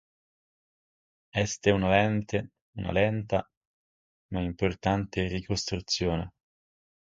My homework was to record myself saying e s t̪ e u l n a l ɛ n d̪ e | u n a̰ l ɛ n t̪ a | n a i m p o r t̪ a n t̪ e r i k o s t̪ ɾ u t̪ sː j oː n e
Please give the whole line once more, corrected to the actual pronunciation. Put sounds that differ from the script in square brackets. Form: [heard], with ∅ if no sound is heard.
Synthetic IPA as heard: [ɛ] s t̪ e u [∅] n a l ɛ n [t̪] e | u n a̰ l ɛ n t̪ a | [m] a i m p o r t̪ a n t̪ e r i k o s t̪ ɾ u t̪ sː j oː n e